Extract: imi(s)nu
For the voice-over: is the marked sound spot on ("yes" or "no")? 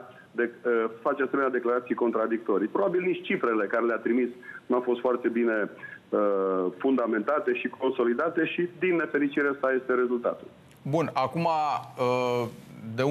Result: yes